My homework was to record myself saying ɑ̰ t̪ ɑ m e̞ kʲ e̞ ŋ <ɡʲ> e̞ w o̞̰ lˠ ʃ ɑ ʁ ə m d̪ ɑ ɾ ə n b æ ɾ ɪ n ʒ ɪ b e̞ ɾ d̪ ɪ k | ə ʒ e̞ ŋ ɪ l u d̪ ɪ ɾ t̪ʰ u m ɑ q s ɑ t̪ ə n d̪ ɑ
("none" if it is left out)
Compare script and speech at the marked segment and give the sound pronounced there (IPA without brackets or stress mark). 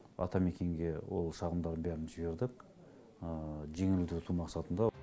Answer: ɡʲ